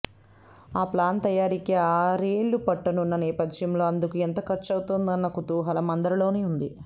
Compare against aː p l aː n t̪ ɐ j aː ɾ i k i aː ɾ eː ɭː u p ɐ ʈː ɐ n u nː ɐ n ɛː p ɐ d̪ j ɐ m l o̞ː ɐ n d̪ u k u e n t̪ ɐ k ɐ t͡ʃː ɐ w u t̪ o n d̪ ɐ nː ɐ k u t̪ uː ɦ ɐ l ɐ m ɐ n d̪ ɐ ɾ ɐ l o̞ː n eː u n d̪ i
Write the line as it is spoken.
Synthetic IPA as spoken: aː p l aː n t̪ ɐ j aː ɾ i k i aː ɾ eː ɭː u p ɐ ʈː ɐ n u nː ɐ n ɛː p ɐ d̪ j ɐ m l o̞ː ɐ n d̪ u k u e n t̪ ɐ k ɐ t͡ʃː ɐ w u t̪ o n d̪ ɐ nː ɐ k u t̪ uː ɦ ɐ l ɐ m ɐ n d̪ ɐ ɾ ɐ l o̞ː n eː u n d̪ i

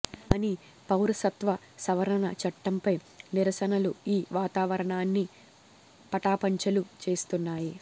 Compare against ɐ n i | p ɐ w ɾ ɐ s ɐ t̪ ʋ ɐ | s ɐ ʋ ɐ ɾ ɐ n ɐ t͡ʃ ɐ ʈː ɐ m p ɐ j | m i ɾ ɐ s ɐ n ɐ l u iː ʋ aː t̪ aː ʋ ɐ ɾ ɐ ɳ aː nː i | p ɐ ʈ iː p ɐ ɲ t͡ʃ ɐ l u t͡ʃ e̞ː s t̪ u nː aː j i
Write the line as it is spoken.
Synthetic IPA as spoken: ɐ n i | p ɐ w ɾ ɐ s ɐ t̪ ʋ ɐ | s ɐ ʋ ɐ ɾ ɐ n ɐ t͡ʃ ɐ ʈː ɐ m p ɐ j | n i ɾ ɐ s ɐ n ɐ l u iː ʋ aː t̪ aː ʋ ɐ ɾ ɐ ɳ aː nː i | p ɐ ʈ aː p ɐ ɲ t͡ʃ ɐ l u t͡ʃ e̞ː s t̪ u nː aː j i

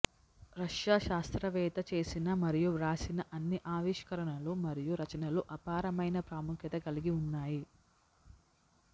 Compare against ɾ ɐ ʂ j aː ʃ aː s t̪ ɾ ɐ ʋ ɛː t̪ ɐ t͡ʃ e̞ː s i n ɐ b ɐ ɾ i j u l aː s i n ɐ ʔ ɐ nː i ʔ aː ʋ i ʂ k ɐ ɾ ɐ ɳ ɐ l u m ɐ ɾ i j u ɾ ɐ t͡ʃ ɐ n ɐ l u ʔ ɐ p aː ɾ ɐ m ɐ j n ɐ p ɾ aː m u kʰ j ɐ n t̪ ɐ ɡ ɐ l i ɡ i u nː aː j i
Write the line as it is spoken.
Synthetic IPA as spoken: ɾ ɐ ʂ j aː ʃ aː s t̪ ɾ ɐ ʋ ɛː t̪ ɐ t͡ʃ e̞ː s i n ɐ m ɐ ɾ i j u ɾ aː s i n ɐ ʔ ɐ nː i ʔ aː ʋ i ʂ k ɐ ɾ ɐ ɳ ɐ l u m ɐ ɾ i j u ɾ ɐ t͡ʃ ɐ n ɐ l u ʔ ɐ p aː ɾ ɐ m ɐ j n ɐ p ɾ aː m u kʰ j ɐ t̪ ɐ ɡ ɐ l i ɡ i u nː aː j i

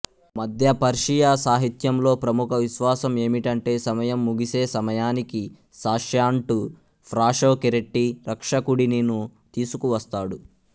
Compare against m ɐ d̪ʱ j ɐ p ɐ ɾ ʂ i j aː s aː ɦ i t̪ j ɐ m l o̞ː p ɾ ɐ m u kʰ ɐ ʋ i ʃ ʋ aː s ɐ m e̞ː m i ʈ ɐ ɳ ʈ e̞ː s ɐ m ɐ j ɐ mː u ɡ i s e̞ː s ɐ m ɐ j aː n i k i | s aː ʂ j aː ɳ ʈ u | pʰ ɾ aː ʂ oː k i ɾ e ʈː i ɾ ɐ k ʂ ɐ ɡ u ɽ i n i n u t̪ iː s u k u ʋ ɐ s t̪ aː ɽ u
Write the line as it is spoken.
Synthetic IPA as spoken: m ɐ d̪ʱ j ɐ p ɐ ɾ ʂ i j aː s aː ɦ i t̪ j ɐ m l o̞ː p ɾ ɐ m u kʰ ɐ ʋ i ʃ ʋ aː s ɐ m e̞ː m i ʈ ɐ ɳ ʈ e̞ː s ɐ m ɐ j ɐ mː u ɡ i s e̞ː s ɐ m ɐ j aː n i k i | s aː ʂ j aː ɳ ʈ u | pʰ ɾ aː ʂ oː k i ɾ e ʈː i ɾ ɐ k ʂ ɐ k u ɽ i n i n u t̪ iː s u k u ʋ ɐ s t̪ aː ɽ u

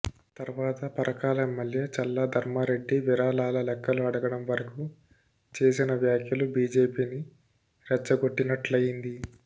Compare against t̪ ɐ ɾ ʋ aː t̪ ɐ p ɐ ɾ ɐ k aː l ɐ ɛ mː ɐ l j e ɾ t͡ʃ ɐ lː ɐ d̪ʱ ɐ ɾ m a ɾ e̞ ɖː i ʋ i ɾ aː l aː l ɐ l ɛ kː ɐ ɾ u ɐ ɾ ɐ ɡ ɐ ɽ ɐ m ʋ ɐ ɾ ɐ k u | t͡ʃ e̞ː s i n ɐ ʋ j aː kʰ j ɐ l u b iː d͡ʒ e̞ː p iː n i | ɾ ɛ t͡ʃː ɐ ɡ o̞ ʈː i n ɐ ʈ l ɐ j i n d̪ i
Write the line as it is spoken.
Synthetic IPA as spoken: t̪ ɐ ɾ ʋ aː t̪ ɐ p ɐ ɾ ɐ k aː l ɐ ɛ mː ɐ l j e t͡ʃ ɐ lː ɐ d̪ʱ ɐ ɾ m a ɾ e̞ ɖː i ʋ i ɾ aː l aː l ɐ l ɛ kː ɐ l u ɐ ɽ ɐ ɡ ɐ ɽ ɐ m ʋ ɐ ɾ ɐ k u | t͡ʃ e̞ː s i n ɐ ʋ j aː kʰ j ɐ l u b iː d͡ʒ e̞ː p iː n i | ɾ ɛ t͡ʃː ɐ ɡ o̞ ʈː i n ɐ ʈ l ɐ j i n d̪ i

